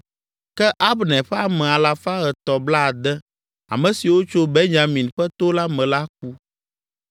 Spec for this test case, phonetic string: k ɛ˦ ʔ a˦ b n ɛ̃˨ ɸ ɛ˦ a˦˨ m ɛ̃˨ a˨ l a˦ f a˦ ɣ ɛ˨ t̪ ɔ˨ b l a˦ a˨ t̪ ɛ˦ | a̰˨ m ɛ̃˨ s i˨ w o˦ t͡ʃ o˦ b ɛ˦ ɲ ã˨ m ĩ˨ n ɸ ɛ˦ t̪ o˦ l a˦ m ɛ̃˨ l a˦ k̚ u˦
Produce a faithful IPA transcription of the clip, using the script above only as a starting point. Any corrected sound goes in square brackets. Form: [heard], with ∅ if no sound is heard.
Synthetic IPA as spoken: k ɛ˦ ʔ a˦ b n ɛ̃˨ ɸ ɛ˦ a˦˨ m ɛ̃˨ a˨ l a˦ f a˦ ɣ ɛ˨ t̪ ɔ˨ b l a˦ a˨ [d̪] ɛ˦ | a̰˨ m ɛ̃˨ s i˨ w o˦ t͡ʃ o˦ b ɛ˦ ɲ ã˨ m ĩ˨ n ɸ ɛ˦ t̪ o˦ l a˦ m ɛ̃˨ l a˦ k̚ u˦

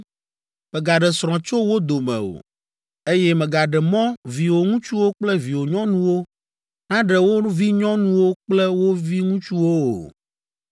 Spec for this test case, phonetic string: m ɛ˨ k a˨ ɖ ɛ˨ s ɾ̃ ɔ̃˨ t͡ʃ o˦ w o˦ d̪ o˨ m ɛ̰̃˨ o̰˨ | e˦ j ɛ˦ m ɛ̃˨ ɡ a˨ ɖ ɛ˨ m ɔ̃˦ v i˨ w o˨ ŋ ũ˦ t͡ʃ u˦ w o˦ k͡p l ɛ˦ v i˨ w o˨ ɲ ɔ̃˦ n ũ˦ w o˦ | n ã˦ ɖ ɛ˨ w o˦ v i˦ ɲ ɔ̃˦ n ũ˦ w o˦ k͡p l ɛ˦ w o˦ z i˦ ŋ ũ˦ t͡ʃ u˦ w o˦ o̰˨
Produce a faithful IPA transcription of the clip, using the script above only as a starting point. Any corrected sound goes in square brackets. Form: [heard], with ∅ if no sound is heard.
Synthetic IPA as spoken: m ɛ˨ [ɡ] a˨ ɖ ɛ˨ s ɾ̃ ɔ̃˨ t͡ʃ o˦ w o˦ d̪ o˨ m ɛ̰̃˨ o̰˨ | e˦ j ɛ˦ m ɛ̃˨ ɡ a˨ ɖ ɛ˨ m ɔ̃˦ v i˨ w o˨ ŋ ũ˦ t͡ʃ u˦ w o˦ k͡p l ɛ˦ v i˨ w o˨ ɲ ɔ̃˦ n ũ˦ w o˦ | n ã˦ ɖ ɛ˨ w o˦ v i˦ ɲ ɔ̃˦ n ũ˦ w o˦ k͡p l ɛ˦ w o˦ [v] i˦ ŋ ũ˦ t͡ʃ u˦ w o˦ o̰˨

